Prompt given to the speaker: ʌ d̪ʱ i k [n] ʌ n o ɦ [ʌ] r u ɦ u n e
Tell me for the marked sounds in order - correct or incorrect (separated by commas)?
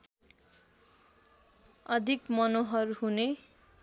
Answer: incorrect, correct